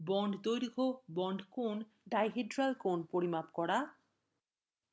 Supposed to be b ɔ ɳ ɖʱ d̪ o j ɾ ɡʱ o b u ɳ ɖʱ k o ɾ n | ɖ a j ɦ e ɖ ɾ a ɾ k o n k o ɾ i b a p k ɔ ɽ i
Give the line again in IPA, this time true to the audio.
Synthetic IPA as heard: b ɔ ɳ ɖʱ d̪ o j ɾ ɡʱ o b ɔ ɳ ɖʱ k o n | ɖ a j ɦ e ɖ ɾ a l k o n p o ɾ i m a p k ɔ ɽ a